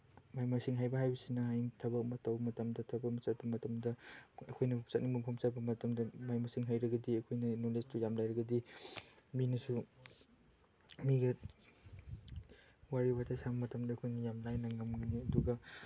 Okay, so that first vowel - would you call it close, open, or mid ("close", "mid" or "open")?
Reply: open